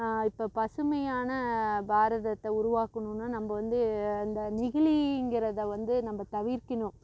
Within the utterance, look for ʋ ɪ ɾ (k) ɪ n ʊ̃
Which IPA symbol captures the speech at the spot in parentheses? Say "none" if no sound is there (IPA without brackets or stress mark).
k